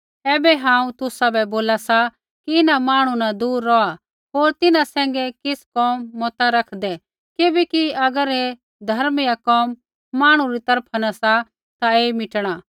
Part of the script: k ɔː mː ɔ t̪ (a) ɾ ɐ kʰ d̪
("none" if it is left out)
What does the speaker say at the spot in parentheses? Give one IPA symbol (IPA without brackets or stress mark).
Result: a